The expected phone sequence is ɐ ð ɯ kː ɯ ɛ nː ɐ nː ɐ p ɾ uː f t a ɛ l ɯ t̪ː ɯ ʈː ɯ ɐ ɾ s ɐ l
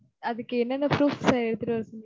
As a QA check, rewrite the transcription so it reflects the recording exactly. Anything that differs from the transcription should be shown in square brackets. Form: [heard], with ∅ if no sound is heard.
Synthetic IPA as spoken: ɐ ð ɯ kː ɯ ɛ nː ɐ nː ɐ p ɾ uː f [s] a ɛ [ɽ] ɯ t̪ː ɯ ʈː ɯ ɐ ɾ s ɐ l